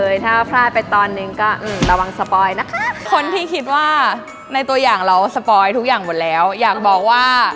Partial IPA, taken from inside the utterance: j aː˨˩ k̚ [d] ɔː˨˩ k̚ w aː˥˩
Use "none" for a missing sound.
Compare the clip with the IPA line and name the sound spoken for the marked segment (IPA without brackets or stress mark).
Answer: b